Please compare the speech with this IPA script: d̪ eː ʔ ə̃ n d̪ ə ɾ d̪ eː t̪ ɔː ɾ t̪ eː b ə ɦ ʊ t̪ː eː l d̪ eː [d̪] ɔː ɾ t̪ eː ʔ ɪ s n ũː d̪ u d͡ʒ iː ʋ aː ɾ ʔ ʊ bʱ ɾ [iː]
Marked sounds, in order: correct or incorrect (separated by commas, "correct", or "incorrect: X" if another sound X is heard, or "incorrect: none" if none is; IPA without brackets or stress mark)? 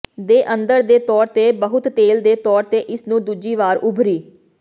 incorrect: t̪, correct